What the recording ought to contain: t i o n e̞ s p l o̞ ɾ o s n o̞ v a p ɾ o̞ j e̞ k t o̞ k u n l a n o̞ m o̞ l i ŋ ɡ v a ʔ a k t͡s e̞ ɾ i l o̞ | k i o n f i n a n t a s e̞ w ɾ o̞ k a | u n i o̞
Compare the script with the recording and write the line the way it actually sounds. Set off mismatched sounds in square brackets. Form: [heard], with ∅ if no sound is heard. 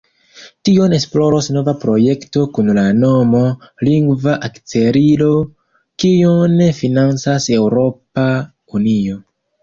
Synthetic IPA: t i o n e̞ s p l o̞ ɾ o s n o̞ v a p ɾ o̞ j e̞ k t o̞ k u n l a n o̞ m o̞ l i ŋ ɡ v a ʔ a k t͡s e̞ ɾ i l o̞ | k i o n f i n a n [t͡s] a s e̞ w ɾ o̞ [p] a | u n i o̞